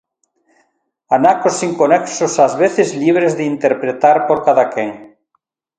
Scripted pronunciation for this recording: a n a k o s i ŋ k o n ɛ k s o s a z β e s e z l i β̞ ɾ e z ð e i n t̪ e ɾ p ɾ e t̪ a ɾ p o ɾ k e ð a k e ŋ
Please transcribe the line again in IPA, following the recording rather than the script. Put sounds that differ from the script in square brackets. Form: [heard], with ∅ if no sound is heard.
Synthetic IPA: a n a k o s i ŋ k o n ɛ k s o s a z β e [θ] e z l i β̞ ɾ e z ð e i n t̪ e ɾ p ɾ e t̪ a ɾ p o ɾ k [a] ð a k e ŋ